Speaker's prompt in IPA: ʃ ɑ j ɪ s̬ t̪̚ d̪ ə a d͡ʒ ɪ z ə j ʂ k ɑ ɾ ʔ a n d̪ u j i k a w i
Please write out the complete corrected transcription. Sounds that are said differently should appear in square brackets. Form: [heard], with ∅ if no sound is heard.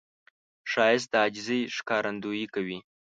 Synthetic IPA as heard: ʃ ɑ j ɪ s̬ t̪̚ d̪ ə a d͡ʒ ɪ z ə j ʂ k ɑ ɾ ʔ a n d̪ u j i k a w i